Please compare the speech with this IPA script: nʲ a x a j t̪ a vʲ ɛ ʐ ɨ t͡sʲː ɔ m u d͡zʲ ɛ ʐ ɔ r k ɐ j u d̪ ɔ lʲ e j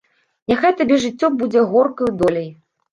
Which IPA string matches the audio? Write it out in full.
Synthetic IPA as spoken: nʲ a x a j t̪ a bʲ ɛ ʐ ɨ t͡sʲː ɔ b u d͡zʲ ɛ ɣ ɔ r k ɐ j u d̪ ɔ lʲ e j